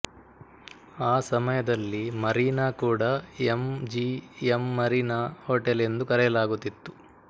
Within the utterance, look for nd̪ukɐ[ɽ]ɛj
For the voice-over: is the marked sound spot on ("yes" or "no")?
no